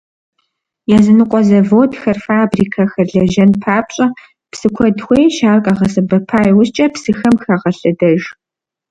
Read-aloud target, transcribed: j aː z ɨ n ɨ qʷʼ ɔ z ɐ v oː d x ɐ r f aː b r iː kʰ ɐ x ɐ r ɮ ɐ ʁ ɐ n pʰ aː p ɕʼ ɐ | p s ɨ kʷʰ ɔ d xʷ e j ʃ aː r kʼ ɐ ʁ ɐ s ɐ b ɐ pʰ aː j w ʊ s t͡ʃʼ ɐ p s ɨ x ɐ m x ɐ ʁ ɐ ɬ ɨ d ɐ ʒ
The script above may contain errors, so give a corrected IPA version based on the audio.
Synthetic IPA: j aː z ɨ n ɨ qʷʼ ɔ z ɐ v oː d x ɐ r f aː b r iː kʰ ɐ x ɐ r ɮ ɐ ʒ ɐ n pʰ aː p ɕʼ ɐ | p s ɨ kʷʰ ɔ d xʷ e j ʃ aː r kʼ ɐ ʁ ɐ s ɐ b ɐ pʰ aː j w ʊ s t͡ʃʼ ɐ p s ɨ x ɐ m x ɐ ʁ ɐ ɬ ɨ d ɐ ʒ